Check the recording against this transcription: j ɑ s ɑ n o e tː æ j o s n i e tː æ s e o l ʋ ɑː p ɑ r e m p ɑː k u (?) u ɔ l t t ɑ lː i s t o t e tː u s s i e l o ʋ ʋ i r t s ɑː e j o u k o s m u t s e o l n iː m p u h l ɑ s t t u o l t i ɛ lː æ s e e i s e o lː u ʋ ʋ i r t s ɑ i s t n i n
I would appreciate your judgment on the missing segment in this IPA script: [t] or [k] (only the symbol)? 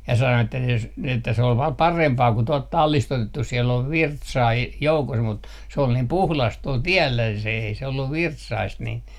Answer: t